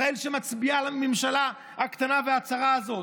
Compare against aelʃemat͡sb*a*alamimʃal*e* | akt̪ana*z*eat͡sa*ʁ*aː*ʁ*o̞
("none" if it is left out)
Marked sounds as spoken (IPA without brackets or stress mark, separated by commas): i, a, v, ʁ, z